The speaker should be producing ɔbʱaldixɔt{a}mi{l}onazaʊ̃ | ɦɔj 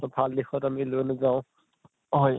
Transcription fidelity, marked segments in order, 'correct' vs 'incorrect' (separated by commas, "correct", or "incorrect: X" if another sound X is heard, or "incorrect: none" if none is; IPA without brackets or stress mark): correct, correct